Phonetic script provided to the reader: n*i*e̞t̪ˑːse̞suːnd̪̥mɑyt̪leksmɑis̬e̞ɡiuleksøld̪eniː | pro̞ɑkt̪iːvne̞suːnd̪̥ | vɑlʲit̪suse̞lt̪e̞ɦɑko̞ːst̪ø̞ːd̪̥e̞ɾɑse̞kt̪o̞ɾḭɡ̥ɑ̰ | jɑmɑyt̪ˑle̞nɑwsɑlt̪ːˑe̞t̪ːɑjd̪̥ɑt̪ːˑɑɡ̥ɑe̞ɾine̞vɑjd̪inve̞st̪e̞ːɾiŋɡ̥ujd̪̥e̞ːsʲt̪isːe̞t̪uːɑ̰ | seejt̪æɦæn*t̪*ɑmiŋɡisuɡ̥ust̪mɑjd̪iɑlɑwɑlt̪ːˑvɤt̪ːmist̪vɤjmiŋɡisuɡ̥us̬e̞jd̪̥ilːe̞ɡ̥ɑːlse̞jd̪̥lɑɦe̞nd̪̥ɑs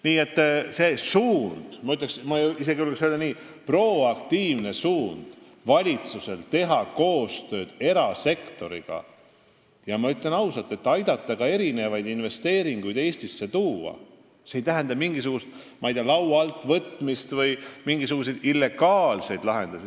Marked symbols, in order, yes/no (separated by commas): no, no